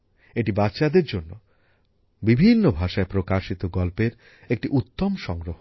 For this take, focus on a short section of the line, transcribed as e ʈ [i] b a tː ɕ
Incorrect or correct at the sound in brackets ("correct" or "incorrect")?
correct